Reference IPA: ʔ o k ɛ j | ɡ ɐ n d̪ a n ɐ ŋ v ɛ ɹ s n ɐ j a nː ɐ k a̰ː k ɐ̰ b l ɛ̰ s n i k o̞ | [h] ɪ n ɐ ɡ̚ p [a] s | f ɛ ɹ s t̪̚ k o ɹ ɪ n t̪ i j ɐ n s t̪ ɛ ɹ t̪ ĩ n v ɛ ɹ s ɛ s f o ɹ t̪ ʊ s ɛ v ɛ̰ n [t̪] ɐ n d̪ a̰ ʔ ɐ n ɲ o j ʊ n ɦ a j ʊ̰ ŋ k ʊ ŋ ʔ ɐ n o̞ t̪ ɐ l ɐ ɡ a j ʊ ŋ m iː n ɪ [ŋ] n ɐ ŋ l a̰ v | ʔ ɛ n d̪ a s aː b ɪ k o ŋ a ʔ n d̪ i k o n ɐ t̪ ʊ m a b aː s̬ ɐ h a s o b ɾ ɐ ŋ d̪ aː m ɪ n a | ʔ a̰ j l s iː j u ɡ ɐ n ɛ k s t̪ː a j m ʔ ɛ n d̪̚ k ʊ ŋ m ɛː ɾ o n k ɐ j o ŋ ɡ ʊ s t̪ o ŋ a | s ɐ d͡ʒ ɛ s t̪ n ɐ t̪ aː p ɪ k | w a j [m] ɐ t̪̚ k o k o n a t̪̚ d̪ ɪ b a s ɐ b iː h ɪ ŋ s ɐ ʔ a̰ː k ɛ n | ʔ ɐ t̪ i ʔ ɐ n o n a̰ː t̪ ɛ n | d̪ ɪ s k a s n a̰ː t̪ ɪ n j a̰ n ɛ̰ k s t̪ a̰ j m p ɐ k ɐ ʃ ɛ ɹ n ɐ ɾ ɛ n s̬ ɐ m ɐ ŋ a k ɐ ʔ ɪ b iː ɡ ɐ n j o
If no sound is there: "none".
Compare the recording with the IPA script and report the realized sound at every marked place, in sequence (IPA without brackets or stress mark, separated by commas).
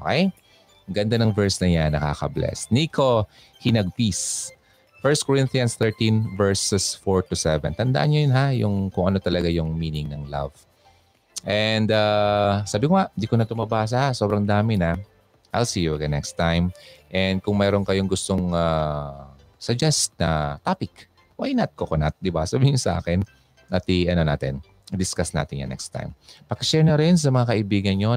h, i, t̪, ŋ, n